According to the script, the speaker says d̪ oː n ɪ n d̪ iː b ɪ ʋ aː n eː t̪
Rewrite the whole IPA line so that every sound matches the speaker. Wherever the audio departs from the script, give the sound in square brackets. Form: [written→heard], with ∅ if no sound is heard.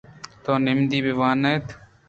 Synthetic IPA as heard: [d̪→t̪] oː n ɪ [n→m] d̪ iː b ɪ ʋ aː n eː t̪